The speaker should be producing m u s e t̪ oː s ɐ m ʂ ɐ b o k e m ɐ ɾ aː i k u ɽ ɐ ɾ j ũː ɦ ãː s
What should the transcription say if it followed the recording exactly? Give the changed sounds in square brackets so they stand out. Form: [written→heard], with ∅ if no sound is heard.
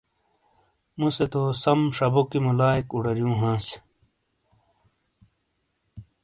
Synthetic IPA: m u s e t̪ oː s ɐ m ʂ ɐ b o k [e→i] m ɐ [ɾ→l] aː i k u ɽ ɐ ɾ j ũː ɦ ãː s